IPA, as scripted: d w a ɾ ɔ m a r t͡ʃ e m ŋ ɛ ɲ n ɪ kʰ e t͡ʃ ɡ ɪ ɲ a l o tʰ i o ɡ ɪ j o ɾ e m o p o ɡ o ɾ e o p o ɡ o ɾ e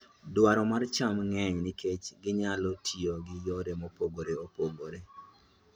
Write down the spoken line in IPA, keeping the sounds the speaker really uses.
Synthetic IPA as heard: d w a ɾ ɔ m a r t͡ʃ a m ŋ ɛ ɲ n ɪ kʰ e t͡ʃ ɡ ɪ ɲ a l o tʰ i o ɡ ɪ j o ɾ e m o p o ɡ o ɾ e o p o ɡ o ɾ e